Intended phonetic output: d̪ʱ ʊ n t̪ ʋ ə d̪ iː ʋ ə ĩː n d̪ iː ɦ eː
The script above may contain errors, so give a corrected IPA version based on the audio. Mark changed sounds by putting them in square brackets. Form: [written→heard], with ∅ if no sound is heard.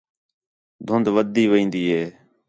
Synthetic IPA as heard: d̪ʱ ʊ n [t̪→d̪] ʋ ə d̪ iː ʋ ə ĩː n d̪ iː ɦ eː